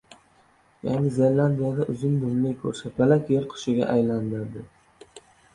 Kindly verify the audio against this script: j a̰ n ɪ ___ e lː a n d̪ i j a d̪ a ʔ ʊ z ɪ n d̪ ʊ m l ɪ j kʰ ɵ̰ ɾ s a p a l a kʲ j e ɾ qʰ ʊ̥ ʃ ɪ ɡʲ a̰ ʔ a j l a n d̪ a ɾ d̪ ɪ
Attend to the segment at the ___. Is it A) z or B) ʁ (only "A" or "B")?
A